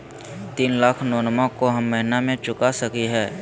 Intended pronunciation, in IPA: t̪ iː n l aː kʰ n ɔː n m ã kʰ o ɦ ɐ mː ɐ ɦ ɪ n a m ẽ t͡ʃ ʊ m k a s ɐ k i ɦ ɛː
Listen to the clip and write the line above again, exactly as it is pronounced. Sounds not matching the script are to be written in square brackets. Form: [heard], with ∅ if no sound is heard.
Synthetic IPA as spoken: t̪ iː n l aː kʰ n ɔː n m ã [k] o ɦ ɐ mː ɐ ɦ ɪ n a m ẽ t͡ʃ ʊ [∅] k a s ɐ k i ɦ ɛː